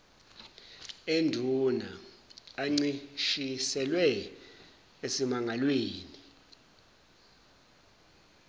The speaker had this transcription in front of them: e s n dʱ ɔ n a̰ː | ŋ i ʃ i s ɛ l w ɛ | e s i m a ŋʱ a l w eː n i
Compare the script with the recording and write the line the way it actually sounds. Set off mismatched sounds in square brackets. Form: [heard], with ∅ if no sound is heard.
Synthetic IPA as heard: e [∅] n dʱ [u] n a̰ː | [ŋ͡ǀ] i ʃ i s ɛ l w ɛ | e s i m a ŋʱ a l w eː n i